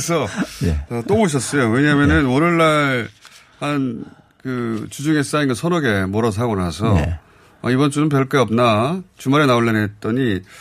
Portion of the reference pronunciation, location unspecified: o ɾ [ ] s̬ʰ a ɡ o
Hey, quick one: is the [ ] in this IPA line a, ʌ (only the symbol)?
ʌ